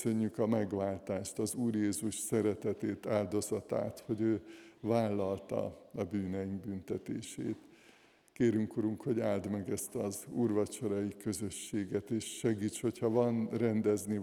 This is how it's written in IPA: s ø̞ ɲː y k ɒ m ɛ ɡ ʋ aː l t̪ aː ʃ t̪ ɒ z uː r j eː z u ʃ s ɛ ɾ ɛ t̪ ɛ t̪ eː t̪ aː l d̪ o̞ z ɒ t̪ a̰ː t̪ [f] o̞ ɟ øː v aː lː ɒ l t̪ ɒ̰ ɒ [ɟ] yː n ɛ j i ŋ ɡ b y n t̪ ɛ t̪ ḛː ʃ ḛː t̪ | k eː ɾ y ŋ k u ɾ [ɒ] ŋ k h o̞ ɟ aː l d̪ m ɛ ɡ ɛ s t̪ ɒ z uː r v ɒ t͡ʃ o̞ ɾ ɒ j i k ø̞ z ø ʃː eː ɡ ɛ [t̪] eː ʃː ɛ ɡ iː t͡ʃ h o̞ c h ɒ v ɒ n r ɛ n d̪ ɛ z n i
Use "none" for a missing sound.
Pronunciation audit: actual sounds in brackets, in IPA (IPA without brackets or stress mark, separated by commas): h, b, u, t̪